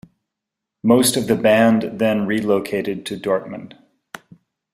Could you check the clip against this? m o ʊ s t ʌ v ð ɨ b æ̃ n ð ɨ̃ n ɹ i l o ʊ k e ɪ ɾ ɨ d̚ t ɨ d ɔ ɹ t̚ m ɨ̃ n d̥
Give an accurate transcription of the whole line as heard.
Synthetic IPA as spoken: m o ʊ s t ʌ v ð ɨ b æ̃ n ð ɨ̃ n ɹ i l o ʊ kʰ e ɪ ɾ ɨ d̚ tʰ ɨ d ɔ ɹ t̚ m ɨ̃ n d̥